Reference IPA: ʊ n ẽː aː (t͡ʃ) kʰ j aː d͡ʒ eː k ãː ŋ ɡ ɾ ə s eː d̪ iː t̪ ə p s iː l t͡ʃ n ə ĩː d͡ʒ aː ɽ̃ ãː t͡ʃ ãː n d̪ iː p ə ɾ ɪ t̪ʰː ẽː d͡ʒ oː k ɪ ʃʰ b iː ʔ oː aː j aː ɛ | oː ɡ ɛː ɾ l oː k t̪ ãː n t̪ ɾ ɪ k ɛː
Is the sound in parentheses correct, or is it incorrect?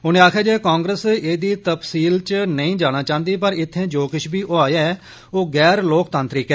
incorrect